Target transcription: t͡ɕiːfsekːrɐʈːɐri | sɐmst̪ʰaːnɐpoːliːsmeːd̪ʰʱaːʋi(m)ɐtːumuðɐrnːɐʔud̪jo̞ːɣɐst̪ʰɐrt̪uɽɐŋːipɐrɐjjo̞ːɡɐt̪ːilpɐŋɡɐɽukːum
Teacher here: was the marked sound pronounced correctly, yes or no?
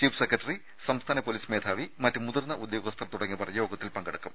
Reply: yes